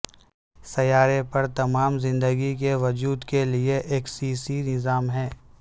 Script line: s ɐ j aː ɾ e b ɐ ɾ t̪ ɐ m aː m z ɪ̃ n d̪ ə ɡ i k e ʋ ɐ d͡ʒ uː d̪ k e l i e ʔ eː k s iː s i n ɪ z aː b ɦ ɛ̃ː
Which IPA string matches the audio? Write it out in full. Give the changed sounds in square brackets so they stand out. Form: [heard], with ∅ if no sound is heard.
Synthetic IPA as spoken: s ɐ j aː ɾ e [p] ɐ ɾ t̪ ɐ m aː m z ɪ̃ n d̪ ə ɡ i k e ʋ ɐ d͡ʒ uː d̪ k e l i e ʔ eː k s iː s i n ɪ z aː [m] ɦ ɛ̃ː